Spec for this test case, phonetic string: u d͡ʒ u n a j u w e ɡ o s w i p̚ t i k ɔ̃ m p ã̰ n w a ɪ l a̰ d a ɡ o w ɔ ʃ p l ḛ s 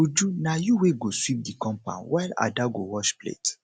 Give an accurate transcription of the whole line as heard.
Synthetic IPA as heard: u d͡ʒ u n a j u w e ɡ o s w i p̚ d i k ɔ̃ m p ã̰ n w a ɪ l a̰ d a ɡ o w ɔ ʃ p l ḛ t